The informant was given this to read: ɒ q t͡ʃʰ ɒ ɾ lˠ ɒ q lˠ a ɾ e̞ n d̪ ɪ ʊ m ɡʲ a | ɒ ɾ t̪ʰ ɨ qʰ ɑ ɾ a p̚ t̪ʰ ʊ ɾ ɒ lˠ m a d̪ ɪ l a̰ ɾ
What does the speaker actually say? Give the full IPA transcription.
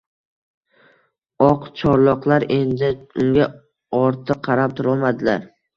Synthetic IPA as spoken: ɒ q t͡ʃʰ ɒ ɾ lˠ ɒ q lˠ a ɾ e̞ n d̪ ɪ ʊ ŋ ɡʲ a | ɒ ɾ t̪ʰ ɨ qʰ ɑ ɾ a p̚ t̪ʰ ʊ ɾ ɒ lˠ m a d̪ ɪ l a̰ ɾ